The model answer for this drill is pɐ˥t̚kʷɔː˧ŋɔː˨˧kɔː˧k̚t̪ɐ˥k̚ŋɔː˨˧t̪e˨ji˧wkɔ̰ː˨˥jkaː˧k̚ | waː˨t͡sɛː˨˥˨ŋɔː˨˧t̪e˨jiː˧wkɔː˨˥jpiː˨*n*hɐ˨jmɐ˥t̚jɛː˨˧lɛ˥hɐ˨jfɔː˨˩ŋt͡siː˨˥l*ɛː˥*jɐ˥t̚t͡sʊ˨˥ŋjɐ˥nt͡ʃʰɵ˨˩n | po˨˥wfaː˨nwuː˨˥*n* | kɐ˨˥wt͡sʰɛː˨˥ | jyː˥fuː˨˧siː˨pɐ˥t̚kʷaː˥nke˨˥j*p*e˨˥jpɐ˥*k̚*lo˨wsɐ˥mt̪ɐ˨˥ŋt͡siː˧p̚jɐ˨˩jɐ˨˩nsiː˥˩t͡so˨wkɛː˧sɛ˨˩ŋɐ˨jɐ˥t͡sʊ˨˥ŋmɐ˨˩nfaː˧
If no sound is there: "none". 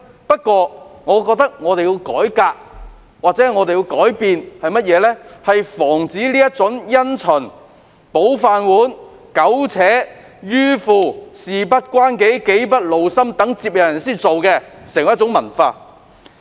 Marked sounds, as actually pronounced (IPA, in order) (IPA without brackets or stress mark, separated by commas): n, iː˥, n, k, t̚